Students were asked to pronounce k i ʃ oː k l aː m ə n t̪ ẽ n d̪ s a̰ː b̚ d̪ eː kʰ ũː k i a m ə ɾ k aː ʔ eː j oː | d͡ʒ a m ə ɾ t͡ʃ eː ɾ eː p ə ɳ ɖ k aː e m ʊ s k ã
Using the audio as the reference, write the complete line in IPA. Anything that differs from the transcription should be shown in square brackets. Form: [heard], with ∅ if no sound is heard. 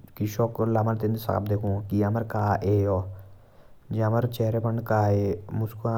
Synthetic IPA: k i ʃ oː k l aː m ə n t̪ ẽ n d̪ s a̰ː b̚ d̪ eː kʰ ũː k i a m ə ɾ k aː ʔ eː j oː | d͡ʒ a m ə ɾ t͡ʃ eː ɾ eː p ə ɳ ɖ k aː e m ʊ s k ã